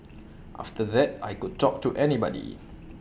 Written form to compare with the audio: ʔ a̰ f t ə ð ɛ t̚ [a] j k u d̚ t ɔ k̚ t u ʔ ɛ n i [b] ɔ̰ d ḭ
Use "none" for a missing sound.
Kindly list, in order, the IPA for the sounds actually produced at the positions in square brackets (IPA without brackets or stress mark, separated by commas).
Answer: a, b